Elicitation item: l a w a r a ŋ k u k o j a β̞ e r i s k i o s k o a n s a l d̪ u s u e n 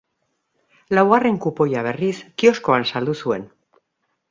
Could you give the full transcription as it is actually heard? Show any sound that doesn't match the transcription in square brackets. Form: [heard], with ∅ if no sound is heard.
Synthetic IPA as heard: l a w a r [e] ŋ k u [p] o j a β̞ e r i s k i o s k o a n s a l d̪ u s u e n